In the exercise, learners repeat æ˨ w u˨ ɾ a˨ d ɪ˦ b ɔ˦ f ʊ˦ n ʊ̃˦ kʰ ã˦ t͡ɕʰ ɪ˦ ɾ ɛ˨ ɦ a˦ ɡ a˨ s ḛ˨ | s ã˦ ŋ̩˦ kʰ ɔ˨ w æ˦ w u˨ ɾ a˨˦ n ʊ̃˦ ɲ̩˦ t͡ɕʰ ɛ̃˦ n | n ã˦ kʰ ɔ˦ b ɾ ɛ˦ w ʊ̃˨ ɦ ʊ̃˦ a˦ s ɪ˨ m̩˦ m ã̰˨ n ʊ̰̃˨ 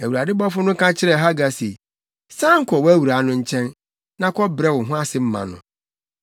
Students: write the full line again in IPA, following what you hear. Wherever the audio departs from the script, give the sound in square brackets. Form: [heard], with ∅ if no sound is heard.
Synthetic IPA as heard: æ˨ w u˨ ɾ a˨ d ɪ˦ b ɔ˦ f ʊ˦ n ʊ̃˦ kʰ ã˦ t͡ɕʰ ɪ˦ ɾ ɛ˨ ɦ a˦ ɡ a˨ s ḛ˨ | s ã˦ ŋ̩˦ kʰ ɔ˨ w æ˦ w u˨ ɾ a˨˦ n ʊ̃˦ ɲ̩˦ t͡ɕʰ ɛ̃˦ n | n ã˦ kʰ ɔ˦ b ɾ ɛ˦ w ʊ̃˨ ɦ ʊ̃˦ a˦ s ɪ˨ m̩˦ m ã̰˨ n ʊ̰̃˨

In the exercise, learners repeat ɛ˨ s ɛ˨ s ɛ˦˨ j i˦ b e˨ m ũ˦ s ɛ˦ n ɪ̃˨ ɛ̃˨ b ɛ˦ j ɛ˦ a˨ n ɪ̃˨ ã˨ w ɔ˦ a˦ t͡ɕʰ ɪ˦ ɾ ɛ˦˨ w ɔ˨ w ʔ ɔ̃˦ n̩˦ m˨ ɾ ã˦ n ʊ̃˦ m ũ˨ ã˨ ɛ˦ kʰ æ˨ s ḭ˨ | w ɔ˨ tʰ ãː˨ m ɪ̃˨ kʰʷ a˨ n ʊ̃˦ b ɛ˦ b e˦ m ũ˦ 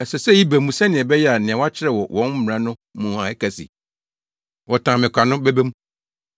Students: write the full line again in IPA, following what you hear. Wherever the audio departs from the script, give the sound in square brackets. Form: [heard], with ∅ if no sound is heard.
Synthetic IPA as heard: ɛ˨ s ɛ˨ s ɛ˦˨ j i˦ b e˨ m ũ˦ s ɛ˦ n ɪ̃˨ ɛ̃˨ b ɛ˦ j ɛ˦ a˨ n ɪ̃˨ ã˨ w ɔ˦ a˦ t͡ɕʰ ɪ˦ ɾ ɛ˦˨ w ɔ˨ w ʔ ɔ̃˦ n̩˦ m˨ ɾ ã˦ n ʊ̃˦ m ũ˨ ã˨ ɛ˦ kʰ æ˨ s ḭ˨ | w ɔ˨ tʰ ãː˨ m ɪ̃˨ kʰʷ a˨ n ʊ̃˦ b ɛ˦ b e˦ m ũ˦

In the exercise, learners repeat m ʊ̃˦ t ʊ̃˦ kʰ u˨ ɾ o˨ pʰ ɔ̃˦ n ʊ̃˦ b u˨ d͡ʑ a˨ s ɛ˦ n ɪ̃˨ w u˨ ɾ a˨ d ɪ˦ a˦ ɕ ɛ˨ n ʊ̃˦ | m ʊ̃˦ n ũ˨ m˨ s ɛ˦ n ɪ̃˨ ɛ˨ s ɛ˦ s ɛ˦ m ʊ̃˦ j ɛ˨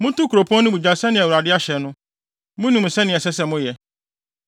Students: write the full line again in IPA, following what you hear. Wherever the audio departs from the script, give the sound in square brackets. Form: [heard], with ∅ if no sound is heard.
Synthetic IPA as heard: m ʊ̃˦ t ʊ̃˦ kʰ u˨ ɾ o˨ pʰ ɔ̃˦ n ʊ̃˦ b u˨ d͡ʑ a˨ s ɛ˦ n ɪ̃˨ w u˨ ɾ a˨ d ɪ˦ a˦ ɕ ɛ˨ n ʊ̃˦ | m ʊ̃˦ n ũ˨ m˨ s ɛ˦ n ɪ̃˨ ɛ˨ s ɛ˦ s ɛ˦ m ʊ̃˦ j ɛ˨

